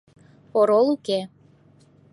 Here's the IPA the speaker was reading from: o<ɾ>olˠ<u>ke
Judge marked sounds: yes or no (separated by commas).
yes, yes